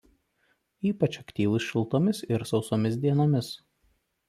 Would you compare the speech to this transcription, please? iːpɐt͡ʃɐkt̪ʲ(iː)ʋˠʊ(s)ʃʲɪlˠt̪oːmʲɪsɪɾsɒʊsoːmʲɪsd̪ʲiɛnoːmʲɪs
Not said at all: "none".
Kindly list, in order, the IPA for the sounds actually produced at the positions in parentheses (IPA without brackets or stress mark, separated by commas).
iː, s